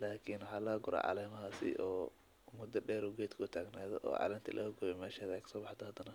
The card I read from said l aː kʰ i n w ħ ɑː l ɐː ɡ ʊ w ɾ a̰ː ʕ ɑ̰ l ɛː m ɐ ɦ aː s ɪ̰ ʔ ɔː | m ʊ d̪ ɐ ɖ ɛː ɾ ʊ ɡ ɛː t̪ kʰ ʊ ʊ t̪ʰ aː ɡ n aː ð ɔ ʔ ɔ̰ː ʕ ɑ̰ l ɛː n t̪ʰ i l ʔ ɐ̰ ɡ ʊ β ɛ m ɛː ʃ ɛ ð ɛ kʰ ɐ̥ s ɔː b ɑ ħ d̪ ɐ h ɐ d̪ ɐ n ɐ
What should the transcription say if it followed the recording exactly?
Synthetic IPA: l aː kʰ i n w ħ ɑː l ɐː ɡ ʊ ɾ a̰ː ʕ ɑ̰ l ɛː m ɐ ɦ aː s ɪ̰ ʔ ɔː | m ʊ d̪ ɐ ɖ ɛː ɾ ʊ ɡ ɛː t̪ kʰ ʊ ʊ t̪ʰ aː ɡ n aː ð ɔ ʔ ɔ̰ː ʕ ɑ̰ l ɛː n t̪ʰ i l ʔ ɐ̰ ɡ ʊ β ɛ m ɛː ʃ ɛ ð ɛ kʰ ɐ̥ s ɔː b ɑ ħ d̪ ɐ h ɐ d̪ ɐ n ɐ